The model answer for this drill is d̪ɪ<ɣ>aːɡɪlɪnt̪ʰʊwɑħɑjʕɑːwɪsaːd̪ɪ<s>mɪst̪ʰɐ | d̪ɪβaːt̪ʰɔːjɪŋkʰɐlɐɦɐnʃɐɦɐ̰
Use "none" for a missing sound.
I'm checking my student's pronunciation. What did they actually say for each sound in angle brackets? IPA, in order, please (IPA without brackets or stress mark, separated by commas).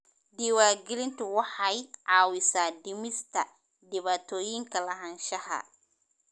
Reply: w, none